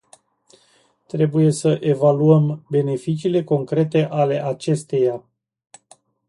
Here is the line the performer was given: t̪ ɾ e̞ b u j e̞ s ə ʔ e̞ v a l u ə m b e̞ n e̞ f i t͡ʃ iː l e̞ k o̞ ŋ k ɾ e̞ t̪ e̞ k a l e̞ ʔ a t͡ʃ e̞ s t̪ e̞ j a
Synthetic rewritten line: t̪ ɾ e̞ b u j e̞ s ə ʔ e̞ v a l u ə m b e̞ n e̞ f i t͡ʃ iː l e̞ k o̞ ŋ k ɾ e̞ t̪ e̞ ʔ a l e̞ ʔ a t͡ʃ e̞ s t̪ e̞ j a